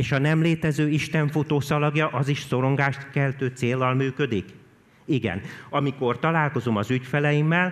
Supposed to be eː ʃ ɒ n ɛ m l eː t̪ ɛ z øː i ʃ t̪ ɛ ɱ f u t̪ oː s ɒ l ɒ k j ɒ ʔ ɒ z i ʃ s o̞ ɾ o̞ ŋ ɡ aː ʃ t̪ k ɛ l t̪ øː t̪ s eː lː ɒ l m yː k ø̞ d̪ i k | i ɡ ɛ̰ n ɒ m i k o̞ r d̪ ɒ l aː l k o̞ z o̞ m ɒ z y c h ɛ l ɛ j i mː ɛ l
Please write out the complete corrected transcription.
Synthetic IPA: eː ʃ ɒ n ɛ m l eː t̪ ɛ z øː i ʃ t̪ ɛ ɱ f u t̪ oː s ɒ l ɒ ɡ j ɒ ʔ ɒ z i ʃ s o̞ ɾ o̞ ŋ ɡ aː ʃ t̪ k ɛ l t̪ øː t̪ s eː lː ɒ l m yː k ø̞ d̪ i k | i ɡ ɛ̰ n ɒ m i k o̞ r t̪ ɒ l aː l k o̞ z o̞ m ɒ z y c f ɛ l ɛ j i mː ɛ l